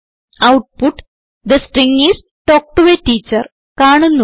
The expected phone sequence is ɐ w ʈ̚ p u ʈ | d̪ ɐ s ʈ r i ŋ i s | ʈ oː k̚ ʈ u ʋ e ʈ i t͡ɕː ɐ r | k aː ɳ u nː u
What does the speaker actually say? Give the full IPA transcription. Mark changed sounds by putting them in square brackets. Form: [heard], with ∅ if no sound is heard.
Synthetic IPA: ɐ w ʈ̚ p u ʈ | d̪ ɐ s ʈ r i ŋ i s | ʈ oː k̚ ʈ u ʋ e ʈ [iː] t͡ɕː ɐ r | k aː ɳ u nː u